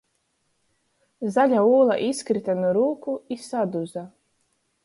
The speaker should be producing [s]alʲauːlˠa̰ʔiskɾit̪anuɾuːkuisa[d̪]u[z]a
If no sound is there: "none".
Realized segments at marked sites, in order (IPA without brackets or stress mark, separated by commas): z, d̪, z